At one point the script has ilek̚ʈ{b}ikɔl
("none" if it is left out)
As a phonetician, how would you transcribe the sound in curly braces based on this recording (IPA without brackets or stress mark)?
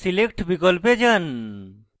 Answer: b